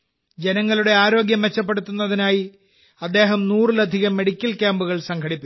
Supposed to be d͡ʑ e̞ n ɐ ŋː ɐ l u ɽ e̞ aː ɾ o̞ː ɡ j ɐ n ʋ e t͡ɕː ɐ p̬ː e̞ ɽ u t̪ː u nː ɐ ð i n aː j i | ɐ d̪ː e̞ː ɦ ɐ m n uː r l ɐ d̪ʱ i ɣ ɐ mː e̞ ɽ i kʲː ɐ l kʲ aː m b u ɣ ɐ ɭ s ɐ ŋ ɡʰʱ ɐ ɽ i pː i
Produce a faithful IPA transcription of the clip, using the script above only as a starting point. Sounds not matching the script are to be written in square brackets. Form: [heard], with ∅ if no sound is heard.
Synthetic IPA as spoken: d͡ʑ e̞ n ɐ ŋː ɐ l u ɽ e̞ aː ɾ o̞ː ɡ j ɐ [m] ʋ e t͡ɕː ɐ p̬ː e̞ ɽ u t̪ː u nː ɐ ð i n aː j i | ɐ d̪ː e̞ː ɦ ɐ m n uː r l ɐ d̪ʱ i ɣ ɐ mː e̞ ɽ i kʲː ɐ l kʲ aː m b u ɣ ɐ ɭ s ɐ ŋ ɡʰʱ ɐ ɽ i pː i